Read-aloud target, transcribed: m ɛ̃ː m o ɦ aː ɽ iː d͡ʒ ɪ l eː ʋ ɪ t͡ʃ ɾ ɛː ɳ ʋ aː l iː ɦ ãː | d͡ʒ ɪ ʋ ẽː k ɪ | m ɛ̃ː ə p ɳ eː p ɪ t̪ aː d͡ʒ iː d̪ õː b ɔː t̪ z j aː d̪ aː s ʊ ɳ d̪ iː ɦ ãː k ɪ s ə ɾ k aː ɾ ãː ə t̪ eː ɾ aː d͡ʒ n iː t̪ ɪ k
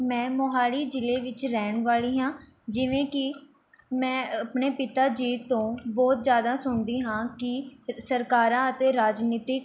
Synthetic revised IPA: m ɛ̃ː m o ɦ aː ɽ iː d͡ʒ ɪ l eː ʋ ɪ t͡ʃ ɾ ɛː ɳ ʋ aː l iː ɦ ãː | d͡ʒ ɪ ʋ ẽː k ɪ | m ɛ̃ː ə p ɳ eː p ɪ t̪ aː d͡ʒ iː t̪ õː b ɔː t̪ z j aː d̪ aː s ʊ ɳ d̪ iː ɦ ãː k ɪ s ə ɾ k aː ɾ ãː ə t̪ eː ɾ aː d͡ʒ n iː t̪ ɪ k